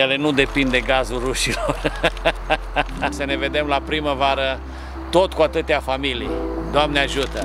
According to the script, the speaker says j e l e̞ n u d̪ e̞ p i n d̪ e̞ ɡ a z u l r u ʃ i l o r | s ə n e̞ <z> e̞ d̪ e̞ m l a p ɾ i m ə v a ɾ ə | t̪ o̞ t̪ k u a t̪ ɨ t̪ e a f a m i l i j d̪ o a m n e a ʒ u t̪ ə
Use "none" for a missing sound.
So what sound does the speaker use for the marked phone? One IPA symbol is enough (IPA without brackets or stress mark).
v